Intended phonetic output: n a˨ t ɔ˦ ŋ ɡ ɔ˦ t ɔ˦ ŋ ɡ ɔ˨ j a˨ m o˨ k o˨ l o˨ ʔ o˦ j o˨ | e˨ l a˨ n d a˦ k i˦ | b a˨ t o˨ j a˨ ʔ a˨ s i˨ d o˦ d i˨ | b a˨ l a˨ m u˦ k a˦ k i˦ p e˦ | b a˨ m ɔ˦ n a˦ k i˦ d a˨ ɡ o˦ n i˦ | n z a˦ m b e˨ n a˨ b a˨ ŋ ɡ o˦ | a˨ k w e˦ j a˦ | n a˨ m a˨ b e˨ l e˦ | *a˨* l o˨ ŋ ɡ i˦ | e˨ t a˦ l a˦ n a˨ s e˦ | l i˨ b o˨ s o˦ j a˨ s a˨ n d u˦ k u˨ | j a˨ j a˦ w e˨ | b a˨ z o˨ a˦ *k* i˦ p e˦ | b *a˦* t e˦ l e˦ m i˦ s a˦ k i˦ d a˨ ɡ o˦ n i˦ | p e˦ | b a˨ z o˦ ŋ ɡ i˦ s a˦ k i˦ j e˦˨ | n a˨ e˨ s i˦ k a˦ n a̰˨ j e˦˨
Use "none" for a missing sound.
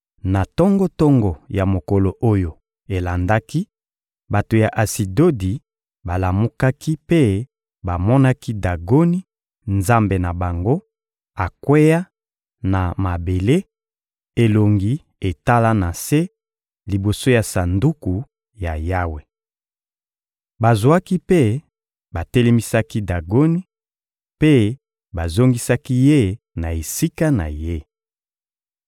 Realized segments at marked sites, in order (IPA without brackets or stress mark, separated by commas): e˨, k, a˨